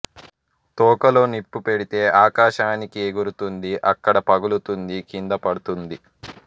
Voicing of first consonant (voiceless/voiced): voiceless